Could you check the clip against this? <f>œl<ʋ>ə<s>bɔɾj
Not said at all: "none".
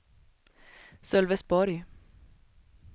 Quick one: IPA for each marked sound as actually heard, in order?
s, ʋ, s

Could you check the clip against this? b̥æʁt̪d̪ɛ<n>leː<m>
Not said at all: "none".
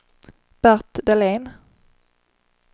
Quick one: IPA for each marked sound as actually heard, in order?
none, n

